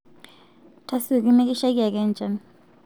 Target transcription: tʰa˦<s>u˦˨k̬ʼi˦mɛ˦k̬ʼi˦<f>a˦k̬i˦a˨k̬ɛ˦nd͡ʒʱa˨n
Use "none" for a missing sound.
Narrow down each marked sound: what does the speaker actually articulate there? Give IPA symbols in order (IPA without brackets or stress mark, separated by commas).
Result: s, ʃ